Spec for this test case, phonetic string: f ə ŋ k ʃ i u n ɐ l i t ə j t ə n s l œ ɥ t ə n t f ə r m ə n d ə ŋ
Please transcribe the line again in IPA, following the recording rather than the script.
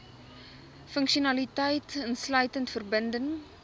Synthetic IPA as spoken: f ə ŋ k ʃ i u n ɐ l i t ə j t ə n s l œ ɥ t ə n t f ə r b ə n d ə ŋ